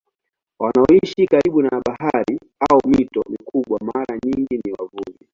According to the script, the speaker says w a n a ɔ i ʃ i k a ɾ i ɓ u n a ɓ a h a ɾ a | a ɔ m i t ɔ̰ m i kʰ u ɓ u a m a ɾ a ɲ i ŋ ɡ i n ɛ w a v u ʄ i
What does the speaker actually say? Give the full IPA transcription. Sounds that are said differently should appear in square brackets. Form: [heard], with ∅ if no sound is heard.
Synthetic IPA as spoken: w a n a ɔ i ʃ i k a ɾ i ɓ u n a ɓ a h a ɾ [i] | a ɔ m i t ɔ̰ m i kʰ u ɓ [w] a m a ɾ a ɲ i ŋ ɡ i n [i] w a v u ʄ i